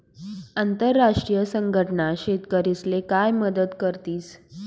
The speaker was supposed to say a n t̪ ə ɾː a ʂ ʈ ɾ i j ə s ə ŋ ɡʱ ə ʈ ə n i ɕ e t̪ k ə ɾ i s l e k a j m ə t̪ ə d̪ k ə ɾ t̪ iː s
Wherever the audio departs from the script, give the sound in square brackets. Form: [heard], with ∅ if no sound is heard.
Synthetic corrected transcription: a n t̪ ə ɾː a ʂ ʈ ɾ i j ə s ə ŋ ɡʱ ə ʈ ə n [a] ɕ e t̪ k ə ɾ i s l e k a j m ə [d̪] ə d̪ k ə ɾ t̪ iː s